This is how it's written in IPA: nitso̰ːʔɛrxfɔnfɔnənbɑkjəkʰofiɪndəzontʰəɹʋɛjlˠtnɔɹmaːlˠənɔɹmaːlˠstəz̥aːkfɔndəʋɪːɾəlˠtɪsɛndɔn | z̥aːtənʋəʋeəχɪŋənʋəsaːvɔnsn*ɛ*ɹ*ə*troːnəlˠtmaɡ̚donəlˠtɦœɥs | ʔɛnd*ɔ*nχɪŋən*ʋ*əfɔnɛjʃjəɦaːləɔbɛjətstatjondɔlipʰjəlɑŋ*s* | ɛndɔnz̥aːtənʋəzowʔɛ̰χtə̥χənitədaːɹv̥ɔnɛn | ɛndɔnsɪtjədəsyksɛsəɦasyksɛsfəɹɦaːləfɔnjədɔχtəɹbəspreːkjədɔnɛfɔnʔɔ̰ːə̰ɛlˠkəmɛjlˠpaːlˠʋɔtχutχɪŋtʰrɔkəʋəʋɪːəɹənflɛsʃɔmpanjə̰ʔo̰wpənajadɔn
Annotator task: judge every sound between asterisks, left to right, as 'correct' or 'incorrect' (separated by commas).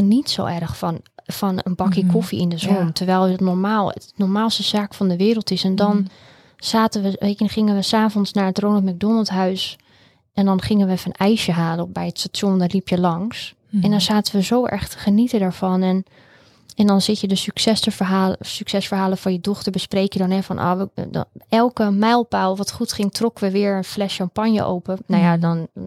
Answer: incorrect, correct, correct, correct, correct